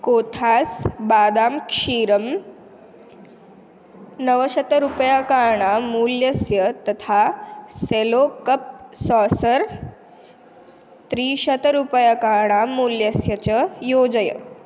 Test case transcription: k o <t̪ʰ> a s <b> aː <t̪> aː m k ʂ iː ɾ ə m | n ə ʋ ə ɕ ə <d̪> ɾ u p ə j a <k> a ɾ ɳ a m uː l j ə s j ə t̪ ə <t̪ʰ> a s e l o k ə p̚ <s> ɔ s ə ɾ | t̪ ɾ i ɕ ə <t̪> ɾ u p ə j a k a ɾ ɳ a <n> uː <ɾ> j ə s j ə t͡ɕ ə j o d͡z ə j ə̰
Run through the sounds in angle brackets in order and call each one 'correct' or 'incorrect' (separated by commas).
correct, correct, incorrect, incorrect, correct, correct, correct, correct, incorrect, incorrect